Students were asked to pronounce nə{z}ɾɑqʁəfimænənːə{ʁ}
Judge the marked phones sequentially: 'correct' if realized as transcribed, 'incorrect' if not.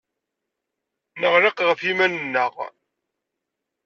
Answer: incorrect, correct

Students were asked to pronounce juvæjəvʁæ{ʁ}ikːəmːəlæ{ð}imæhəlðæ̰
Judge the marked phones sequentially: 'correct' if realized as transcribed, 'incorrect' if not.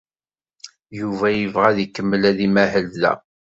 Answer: incorrect, correct

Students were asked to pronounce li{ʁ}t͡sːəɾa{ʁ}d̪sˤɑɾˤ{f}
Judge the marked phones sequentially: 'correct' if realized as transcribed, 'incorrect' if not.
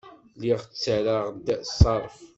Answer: correct, correct, correct

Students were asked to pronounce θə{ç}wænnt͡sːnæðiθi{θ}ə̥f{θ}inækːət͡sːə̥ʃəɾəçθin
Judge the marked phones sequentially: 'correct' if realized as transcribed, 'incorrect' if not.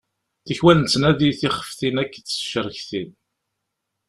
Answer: correct, incorrect, correct

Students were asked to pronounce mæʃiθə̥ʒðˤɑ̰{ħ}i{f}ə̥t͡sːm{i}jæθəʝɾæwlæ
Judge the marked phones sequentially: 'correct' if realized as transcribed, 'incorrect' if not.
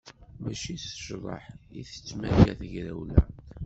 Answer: correct, incorrect, incorrect

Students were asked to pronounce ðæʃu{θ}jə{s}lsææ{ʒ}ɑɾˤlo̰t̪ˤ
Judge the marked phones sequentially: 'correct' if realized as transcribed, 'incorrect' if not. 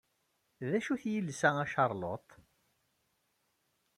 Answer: correct, incorrect, incorrect

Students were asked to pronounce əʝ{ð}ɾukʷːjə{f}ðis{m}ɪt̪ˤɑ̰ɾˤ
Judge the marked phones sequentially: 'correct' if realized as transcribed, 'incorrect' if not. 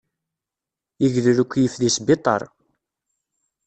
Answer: correct, correct, incorrect

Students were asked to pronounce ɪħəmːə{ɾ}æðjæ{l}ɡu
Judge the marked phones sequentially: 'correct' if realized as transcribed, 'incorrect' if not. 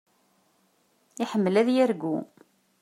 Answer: incorrect, incorrect

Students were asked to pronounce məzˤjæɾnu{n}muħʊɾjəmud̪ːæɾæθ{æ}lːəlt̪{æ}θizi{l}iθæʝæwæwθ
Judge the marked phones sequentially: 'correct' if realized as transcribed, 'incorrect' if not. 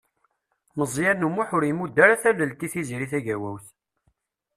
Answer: incorrect, correct, incorrect, incorrect

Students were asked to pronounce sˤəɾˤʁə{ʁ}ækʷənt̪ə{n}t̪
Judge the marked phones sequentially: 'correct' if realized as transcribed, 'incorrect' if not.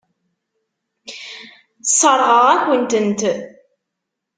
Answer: correct, correct

